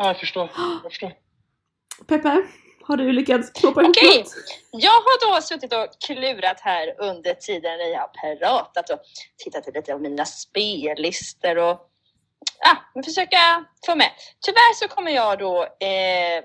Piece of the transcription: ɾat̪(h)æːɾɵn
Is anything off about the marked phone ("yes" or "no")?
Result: no